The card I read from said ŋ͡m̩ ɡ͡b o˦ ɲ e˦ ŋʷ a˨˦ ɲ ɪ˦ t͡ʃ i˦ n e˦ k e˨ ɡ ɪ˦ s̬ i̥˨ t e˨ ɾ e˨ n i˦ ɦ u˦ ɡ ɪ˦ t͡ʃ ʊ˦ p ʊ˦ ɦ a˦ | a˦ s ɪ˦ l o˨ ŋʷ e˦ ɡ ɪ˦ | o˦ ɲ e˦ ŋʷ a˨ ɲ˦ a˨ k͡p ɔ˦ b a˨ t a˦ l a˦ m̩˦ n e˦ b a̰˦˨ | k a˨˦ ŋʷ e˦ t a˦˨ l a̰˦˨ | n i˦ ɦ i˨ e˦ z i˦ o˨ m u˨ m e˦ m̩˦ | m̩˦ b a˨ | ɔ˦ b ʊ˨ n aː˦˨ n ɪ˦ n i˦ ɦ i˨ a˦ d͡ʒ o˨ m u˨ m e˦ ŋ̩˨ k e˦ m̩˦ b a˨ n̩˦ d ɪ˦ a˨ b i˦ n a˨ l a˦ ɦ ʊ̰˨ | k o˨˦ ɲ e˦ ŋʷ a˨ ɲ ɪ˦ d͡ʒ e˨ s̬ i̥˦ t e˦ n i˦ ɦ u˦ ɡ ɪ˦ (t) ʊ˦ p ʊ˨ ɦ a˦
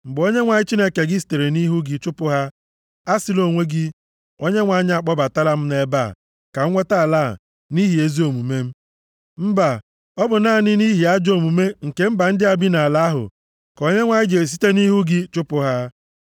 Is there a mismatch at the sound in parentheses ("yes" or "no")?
yes